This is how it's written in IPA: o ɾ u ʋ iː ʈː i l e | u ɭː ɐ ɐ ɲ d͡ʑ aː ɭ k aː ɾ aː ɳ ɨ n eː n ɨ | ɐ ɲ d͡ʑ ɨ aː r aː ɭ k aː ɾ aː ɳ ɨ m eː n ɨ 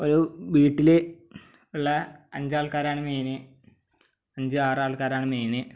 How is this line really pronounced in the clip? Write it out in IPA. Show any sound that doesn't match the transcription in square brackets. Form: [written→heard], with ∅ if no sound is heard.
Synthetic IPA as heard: o ɾ u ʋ iː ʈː i l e | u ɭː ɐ ɐ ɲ d͡ʑ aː ɭ k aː ɾ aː ɳ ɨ [n→m] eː n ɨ | ɐ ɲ d͡ʑ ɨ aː r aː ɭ k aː ɾ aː ɳ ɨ m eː n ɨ